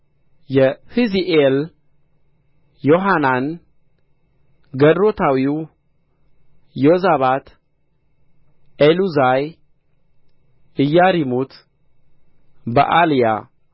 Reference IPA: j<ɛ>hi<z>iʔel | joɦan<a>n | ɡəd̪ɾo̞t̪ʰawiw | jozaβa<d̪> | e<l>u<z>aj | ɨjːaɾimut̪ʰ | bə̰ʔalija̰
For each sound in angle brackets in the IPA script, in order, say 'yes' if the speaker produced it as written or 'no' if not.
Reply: yes, yes, yes, no, yes, yes

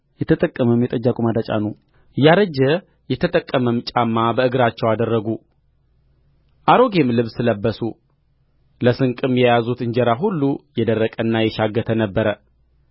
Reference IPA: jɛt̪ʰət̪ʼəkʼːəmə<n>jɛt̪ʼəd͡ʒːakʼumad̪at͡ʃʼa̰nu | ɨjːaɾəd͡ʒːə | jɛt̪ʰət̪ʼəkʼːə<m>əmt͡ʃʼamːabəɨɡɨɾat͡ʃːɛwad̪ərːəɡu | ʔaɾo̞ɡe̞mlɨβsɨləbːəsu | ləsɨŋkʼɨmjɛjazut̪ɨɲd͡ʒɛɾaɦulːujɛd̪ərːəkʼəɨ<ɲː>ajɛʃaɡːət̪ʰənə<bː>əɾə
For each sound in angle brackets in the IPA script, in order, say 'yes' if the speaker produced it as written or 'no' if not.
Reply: no, yes, no, yes

